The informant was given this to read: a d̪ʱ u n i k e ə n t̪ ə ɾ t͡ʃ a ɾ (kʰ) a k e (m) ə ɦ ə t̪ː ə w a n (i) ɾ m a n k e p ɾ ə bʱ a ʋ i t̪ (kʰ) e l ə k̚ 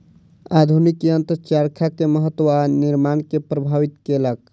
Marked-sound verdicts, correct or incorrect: correct, correct, correct, incorrect

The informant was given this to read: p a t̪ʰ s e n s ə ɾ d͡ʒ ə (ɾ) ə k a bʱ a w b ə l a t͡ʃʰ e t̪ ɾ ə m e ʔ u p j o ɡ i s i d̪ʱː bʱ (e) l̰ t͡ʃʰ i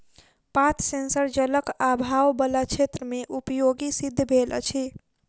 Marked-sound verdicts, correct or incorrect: incorrect, correct

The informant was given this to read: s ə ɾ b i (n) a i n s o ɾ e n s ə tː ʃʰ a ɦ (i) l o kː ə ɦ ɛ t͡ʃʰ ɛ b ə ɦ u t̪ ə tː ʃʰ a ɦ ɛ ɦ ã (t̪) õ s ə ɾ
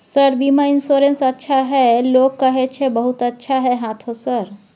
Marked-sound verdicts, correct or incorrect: incorrect, incorrect, incorrect

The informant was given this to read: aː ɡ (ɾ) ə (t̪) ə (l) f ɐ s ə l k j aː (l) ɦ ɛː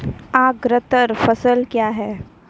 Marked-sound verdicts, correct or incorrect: correct, correct, incorrect, incorrect

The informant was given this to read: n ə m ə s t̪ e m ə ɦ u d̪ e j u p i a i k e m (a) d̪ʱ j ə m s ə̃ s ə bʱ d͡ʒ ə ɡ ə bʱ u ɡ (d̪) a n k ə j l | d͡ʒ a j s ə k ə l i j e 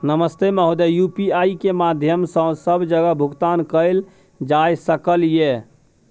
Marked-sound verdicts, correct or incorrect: correct, incorrect

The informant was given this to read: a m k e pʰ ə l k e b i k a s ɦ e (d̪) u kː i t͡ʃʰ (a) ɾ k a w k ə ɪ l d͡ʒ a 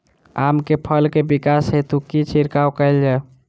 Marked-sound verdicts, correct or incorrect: incorrect, incorrect

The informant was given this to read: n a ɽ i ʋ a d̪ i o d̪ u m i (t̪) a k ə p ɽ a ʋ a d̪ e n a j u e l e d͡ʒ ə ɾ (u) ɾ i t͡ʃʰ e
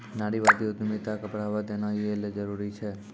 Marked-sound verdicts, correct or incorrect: correct, correct

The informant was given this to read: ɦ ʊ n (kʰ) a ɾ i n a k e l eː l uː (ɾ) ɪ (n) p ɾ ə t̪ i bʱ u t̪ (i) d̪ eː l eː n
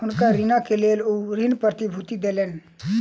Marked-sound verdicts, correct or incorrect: incorrect, correct, correct, correct

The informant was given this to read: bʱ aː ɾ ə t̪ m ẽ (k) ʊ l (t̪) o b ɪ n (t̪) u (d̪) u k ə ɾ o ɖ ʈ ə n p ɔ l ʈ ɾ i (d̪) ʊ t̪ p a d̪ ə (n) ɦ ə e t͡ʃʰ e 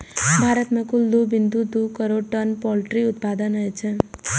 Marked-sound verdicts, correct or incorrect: correct, incorrect, incorrect, correct, incorrect, correct

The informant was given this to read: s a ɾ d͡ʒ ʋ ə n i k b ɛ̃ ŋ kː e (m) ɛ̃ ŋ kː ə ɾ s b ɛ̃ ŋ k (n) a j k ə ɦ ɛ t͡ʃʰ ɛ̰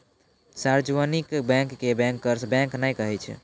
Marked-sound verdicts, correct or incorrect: incorrect, correct

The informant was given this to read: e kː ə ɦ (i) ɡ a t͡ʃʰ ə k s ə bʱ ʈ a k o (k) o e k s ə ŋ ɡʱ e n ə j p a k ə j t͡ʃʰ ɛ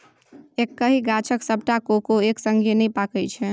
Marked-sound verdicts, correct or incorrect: correct, correct

